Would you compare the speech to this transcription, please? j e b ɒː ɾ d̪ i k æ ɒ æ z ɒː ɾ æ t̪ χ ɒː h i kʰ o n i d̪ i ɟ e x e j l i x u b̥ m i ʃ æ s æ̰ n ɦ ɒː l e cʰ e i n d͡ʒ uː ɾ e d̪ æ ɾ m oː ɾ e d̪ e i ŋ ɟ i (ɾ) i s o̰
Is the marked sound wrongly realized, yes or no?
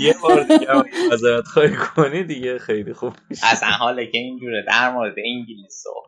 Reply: yes